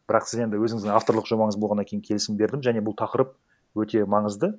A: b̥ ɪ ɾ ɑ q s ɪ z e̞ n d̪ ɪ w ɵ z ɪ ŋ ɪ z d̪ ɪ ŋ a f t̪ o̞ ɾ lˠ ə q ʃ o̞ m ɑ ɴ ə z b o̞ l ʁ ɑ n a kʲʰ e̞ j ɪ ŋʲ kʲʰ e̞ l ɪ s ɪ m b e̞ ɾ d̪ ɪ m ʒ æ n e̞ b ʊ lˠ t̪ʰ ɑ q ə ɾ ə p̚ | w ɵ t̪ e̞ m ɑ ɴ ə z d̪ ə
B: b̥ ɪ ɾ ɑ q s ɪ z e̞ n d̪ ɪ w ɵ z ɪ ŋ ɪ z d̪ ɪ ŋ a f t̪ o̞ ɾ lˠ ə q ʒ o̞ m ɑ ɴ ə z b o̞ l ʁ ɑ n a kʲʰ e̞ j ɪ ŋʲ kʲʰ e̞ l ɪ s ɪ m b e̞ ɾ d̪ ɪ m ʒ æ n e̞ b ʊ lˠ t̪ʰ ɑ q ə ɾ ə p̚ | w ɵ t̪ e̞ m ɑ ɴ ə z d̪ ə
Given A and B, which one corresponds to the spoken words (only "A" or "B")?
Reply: B